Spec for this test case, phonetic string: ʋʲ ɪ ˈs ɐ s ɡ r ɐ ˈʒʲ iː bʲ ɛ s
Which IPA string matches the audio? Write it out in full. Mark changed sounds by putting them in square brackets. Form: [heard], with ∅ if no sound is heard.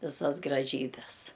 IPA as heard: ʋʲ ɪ ˈs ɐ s ɡ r ɐ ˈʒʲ iː bʲ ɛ s